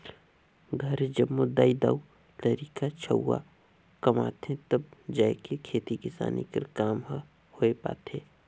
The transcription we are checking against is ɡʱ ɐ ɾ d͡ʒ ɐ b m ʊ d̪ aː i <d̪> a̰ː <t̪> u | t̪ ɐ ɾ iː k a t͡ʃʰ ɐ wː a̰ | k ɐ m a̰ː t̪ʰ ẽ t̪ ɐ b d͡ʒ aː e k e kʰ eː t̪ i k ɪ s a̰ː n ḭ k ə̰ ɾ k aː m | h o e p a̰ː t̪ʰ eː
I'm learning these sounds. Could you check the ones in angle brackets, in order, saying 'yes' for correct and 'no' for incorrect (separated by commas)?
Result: yes, no